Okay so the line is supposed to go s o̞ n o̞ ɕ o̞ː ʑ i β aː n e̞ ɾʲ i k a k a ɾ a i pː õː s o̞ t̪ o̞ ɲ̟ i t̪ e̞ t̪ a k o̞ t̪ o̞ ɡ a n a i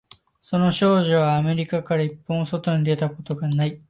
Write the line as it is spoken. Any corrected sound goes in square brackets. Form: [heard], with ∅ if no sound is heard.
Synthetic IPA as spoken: s o̞ n o̞ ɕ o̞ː ʑ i β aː [m] e̞ ɾʲ i k a k a ɾ a i pː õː s o̞ t̪ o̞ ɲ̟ i [d̪] e̞ t̪ a k o̞ t̪ o̞ ɡ a n a i